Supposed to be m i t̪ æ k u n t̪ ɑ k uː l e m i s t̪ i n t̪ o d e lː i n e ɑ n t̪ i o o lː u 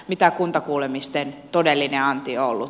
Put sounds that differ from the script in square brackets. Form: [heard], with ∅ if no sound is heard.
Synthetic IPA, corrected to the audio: m i t̪ æ k u n t̪ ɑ k uː l e m i s t̪ [e] n t̪ o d e lː i n e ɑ n t̪ i o o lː u